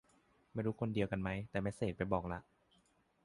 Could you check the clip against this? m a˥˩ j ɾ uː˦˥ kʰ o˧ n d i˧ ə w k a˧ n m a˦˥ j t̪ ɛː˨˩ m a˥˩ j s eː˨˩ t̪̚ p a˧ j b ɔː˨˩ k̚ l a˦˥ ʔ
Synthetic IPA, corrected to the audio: m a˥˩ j ɾ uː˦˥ kʰ o˧ n d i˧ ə w k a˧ n m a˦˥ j t̪ ɛː˨˩ m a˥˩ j s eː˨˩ t̪̚ p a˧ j b ɔː˨˩ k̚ l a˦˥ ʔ